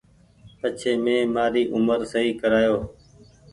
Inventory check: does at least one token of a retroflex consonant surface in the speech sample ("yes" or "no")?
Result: no